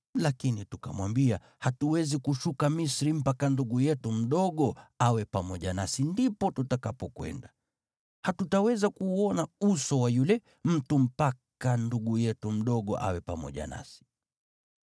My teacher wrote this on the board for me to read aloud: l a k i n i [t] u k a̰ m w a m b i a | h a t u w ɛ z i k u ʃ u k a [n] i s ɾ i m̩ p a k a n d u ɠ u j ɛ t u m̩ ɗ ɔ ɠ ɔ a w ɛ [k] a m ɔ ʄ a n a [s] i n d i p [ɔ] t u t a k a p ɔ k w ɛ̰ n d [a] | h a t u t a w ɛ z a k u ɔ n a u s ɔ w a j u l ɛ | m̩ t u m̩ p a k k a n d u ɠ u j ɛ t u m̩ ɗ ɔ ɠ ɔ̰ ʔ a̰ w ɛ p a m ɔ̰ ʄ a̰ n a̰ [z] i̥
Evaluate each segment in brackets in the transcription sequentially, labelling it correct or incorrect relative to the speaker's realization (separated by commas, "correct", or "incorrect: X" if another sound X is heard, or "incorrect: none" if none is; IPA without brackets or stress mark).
correct, incorrect: m, incorrect: p, correct, correct, correct, incorrect: s